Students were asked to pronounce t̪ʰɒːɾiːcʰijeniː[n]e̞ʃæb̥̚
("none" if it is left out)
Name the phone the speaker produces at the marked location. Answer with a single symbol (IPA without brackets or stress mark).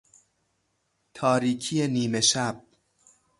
m